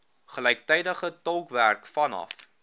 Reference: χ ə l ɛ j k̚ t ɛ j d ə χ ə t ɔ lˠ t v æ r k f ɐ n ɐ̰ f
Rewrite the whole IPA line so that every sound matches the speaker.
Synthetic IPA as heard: χ ə l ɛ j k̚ t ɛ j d ə χ ə t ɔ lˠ k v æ r k f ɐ n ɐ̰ f

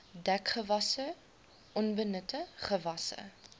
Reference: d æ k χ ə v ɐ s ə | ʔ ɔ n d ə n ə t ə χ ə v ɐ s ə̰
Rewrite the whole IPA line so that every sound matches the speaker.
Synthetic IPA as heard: d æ k χ ə v ɐ s ə | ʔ ɔ n b ə n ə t ə χ ə v ɐ s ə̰

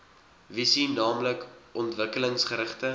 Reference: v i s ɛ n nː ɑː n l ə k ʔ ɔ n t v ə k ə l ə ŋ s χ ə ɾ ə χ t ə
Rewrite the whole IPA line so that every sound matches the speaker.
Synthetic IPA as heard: v i s i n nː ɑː m l ə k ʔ ɔ n t v ə k ə l ə ŋ s χ ə ɾ ə χ t ə

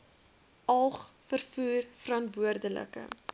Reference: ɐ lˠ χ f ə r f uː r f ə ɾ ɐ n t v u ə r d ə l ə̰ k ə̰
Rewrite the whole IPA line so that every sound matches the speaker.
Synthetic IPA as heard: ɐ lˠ χ f ə r f uː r f ə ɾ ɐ n t v u ə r d ə l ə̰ k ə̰

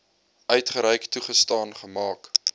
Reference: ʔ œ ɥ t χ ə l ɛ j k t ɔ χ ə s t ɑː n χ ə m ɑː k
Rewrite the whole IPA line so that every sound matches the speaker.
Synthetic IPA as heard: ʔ œ ɥ t χ ə ɾ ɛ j k t u χ ə s t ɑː n χ ə m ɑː k

